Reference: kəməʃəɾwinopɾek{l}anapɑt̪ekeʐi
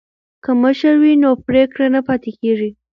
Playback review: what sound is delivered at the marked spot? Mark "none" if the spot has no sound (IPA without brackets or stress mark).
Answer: ɽ